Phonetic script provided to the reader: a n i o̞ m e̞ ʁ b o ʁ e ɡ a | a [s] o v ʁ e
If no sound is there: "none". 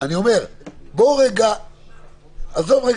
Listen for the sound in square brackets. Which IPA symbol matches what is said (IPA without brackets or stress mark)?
z